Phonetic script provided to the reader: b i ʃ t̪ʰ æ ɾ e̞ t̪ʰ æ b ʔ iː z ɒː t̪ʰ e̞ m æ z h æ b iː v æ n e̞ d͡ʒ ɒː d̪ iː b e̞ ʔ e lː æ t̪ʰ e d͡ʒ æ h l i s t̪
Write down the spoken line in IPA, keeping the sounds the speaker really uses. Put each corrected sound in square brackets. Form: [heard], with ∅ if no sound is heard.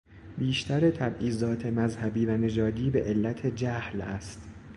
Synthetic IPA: b [iː] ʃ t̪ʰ æ ɾ e̞ t̪ʰ æ b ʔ iː z ɒː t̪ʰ e̞ m æ z h æ b iː v æ n e̞ d͡ʒ ɒː d̪ iː b e̞ ʔ e lː æ t̪ʰ e d͡ʒ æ h l [æ] s t̪